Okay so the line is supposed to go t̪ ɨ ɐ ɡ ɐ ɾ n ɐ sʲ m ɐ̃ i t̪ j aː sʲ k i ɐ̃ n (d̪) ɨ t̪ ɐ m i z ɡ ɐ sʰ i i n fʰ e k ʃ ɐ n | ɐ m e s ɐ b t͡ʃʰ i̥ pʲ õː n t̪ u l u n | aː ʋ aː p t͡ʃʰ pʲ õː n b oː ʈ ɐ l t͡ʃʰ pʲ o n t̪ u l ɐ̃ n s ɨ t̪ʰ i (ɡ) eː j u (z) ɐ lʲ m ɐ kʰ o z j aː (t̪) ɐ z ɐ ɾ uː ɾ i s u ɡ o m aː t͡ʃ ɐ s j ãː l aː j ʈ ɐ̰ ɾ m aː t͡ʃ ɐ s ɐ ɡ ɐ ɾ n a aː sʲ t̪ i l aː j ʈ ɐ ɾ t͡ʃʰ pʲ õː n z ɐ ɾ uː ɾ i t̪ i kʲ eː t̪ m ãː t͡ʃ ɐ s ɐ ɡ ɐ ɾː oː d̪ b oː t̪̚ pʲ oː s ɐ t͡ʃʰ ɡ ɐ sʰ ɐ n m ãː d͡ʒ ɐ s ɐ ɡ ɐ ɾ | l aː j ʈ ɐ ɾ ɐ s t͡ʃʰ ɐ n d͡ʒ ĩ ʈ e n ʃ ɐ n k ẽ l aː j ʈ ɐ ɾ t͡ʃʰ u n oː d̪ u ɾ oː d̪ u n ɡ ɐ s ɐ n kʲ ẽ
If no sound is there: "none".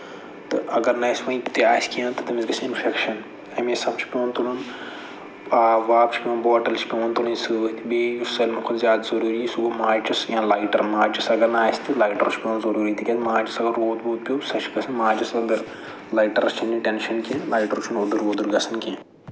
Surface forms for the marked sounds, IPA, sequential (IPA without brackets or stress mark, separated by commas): t̪, b, s, d̪